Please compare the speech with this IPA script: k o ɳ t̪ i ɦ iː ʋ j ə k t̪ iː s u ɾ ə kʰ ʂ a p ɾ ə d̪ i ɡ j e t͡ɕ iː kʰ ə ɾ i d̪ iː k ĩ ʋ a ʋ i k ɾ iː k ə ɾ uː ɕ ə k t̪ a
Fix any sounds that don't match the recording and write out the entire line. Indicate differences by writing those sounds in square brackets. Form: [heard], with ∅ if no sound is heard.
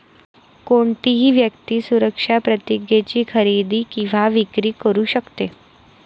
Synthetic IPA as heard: k o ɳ t̪ i ɦ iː ʋ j ə k t̪ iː s u ɾ ə [k] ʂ a p ɾ ə [t̪] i ɡ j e t͡ɕ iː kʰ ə ɾ i d̪ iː k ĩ ʋ a ʋ i k ɾ iː k ə ɾ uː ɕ ə k t̪ [e]